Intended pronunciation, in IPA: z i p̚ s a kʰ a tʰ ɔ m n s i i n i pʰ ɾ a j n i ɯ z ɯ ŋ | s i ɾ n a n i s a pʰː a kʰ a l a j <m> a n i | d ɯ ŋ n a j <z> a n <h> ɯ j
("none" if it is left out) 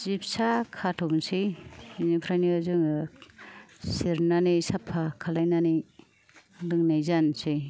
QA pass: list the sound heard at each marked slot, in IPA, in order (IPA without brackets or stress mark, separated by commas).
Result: n, z, s